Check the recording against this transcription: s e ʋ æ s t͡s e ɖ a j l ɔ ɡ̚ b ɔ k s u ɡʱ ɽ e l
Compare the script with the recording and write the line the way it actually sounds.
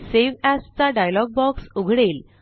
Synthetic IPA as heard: s e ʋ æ s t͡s a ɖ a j l ɔ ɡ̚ b ɔ k s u ɡʱ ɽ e l

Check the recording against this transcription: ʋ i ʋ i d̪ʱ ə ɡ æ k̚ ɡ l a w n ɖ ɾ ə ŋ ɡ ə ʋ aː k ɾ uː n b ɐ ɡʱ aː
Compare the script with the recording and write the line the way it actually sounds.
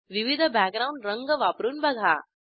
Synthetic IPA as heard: ʋ i ʋ i d̪ʱ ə b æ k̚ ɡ ɾ a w ɳ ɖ ɾ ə ŋ ɡ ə ʋ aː p ɾ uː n b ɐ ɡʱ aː

